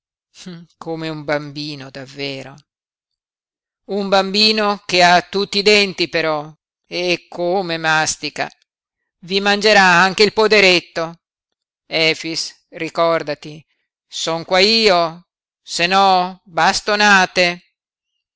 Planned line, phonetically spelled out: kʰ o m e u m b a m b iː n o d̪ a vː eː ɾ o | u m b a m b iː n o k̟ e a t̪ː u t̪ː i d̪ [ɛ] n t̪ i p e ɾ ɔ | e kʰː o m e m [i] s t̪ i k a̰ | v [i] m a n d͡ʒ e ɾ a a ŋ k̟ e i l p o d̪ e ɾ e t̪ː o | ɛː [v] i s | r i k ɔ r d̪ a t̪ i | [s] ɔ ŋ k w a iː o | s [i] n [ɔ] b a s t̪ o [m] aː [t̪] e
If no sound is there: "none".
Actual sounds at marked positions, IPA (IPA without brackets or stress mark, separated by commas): ɛ, a, i, f, s, e, ɔ, n, t̪